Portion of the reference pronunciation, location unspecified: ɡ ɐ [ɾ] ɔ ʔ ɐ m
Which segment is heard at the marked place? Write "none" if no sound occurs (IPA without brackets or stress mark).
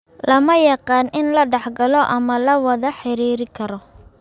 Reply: l